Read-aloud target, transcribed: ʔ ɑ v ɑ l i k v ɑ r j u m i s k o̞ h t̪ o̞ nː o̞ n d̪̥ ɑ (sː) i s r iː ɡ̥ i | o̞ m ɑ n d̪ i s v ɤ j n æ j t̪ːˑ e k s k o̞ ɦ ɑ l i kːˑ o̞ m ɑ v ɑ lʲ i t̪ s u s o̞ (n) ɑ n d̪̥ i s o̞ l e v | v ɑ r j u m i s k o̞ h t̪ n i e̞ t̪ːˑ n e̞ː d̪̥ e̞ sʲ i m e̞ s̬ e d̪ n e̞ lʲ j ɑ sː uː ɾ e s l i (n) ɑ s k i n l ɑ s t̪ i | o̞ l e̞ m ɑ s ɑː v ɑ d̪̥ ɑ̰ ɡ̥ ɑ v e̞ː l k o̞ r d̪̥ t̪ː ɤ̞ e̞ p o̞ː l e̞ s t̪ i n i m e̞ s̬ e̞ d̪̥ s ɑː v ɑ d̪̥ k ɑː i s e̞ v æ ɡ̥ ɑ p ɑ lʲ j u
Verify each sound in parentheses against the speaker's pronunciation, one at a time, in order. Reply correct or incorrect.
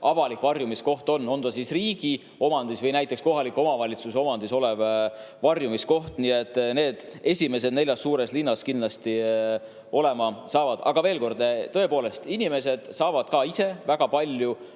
incorrect, incorrect, incorrect

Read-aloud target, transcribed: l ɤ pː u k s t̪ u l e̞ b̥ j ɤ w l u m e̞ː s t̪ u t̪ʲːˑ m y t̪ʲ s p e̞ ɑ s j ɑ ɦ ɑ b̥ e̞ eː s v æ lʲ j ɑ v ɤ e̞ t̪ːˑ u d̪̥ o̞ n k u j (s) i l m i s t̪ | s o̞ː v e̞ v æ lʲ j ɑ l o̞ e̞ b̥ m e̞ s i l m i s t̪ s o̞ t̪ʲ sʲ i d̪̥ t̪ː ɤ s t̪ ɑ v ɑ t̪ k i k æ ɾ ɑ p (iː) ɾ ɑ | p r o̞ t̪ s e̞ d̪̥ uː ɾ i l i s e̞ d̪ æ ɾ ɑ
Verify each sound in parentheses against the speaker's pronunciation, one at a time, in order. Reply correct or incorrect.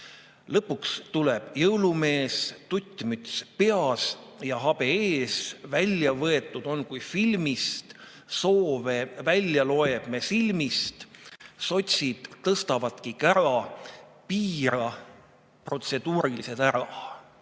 incorrect, correct

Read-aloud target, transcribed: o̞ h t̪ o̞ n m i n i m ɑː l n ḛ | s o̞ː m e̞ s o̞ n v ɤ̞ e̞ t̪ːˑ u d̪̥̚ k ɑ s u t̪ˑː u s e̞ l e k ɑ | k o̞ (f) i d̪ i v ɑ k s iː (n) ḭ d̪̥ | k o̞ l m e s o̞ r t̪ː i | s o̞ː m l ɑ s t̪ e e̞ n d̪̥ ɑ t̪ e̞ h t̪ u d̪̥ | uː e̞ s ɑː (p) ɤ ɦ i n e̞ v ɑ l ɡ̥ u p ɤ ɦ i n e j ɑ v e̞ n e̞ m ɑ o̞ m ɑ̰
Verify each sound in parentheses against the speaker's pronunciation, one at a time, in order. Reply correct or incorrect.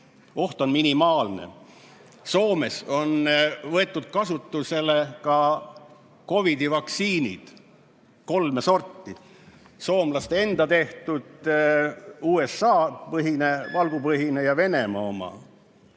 incorrect, correct, correct

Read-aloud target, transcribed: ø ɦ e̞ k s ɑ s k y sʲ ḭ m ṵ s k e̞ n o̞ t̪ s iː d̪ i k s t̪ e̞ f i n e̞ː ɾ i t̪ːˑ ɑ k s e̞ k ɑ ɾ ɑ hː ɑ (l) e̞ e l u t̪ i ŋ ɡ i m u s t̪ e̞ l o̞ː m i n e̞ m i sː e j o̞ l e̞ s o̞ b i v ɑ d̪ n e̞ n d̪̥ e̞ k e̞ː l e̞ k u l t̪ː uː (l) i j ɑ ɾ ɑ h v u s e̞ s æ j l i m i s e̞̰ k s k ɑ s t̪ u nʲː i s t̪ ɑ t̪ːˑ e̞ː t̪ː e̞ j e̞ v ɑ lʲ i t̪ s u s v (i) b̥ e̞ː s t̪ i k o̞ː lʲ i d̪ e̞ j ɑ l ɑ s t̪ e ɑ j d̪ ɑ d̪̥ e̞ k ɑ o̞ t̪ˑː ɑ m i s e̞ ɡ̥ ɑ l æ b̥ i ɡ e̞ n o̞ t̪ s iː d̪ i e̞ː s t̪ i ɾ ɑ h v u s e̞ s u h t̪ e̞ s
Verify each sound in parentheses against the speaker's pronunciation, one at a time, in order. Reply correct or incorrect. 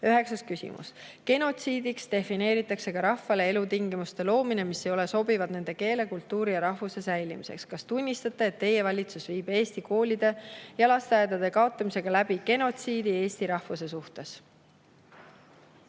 correct, incorrect, incorrect

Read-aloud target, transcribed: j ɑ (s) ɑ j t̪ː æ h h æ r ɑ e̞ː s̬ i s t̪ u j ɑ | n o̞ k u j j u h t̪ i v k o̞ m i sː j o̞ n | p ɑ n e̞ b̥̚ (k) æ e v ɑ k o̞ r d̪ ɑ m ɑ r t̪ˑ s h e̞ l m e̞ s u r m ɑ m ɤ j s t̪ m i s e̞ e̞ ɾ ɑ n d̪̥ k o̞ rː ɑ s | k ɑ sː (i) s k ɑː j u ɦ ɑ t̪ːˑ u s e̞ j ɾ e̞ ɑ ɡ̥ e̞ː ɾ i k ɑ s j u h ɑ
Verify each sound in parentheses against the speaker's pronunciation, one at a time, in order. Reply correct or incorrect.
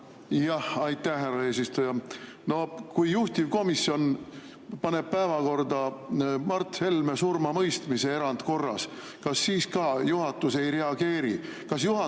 incorrect, incorrect, incorrect

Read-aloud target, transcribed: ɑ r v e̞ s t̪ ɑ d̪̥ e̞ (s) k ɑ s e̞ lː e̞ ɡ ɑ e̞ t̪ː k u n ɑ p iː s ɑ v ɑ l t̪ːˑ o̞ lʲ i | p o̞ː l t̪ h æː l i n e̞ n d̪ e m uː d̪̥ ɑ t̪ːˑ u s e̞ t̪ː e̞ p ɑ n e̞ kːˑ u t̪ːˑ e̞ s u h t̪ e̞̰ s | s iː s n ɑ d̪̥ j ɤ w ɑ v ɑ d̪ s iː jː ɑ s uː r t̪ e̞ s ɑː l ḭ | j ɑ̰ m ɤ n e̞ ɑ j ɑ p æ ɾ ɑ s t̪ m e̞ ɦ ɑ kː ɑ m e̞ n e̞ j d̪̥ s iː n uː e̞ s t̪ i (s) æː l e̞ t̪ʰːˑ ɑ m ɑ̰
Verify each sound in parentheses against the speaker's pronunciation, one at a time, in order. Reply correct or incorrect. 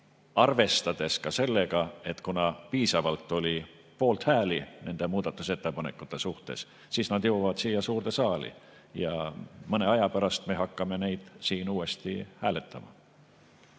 correct, incorrect

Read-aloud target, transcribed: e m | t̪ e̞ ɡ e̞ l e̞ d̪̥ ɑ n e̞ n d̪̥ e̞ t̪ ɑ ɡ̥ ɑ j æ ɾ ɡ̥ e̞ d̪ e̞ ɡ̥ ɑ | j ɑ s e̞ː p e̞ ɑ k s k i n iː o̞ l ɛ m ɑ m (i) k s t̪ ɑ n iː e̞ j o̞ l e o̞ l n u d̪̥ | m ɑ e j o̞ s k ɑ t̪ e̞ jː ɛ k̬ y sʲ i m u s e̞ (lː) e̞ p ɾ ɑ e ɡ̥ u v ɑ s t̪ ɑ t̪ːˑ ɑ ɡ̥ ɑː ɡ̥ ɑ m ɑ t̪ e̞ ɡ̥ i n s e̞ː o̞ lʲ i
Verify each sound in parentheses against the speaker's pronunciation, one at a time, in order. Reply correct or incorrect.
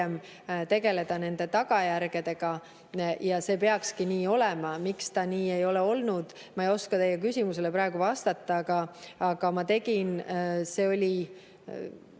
correct, incorrect

